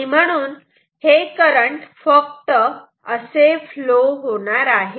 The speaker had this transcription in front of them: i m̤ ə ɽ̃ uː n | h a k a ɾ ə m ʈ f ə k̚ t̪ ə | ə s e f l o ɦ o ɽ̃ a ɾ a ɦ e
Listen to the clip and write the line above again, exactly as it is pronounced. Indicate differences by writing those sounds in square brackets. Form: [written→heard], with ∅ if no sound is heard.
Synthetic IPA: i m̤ ə ɽ̃ uː n | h [a→e] k [a→ə] ɾ ə [m→ɳ] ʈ f ə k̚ t̪ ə | ə s e f l o ɦ o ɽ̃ a ɾ a ɦ e